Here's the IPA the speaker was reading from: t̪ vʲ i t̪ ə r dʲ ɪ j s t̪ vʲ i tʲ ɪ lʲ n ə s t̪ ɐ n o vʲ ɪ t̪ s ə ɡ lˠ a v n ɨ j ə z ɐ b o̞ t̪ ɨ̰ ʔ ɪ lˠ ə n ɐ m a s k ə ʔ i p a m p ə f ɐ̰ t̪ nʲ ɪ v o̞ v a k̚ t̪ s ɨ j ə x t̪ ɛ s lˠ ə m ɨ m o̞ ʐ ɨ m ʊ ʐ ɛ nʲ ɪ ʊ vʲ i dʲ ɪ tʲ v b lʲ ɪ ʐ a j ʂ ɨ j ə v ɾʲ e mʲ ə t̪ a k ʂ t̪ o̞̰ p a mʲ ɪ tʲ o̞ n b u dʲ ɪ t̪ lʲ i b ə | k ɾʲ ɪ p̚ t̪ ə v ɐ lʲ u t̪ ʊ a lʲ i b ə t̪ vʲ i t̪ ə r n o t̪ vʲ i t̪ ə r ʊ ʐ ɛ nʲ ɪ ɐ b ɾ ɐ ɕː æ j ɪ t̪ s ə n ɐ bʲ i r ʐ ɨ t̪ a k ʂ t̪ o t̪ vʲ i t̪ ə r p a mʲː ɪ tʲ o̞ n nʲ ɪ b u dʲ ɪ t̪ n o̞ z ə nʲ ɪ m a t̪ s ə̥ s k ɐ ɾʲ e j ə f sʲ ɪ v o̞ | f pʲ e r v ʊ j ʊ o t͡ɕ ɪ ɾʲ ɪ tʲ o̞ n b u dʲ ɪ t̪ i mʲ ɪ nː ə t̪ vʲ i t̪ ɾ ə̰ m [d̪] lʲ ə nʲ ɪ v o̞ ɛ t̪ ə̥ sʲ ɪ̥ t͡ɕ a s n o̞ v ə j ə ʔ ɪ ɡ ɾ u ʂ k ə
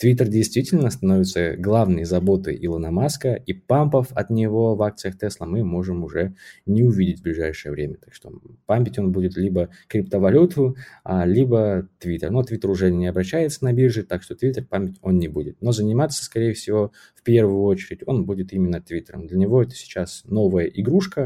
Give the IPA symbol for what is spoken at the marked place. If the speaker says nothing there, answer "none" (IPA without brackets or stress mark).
d̪